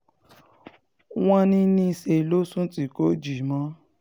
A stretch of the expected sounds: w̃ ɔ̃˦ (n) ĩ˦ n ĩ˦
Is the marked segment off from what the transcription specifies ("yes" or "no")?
no